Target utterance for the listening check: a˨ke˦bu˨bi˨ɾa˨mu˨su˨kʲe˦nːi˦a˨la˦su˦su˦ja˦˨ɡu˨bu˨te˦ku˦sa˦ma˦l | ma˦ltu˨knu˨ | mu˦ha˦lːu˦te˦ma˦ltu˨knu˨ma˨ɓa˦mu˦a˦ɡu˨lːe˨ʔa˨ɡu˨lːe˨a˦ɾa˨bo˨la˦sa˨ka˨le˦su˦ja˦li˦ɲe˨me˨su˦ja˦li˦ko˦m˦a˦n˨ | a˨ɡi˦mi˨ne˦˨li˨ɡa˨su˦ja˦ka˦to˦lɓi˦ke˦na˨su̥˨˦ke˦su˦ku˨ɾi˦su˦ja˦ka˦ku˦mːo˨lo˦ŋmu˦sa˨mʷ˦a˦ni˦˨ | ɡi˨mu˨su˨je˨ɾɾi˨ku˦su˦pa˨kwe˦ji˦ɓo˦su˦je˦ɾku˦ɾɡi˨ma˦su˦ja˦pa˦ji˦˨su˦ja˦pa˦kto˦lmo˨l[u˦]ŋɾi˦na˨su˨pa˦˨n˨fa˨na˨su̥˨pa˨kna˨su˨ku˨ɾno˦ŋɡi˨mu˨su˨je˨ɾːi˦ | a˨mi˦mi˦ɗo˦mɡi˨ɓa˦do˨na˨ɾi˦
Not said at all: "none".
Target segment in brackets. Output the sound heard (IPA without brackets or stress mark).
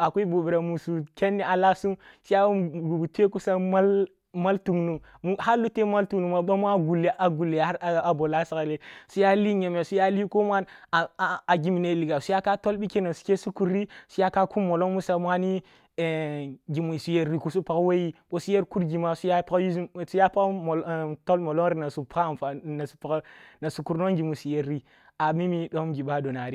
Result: o˦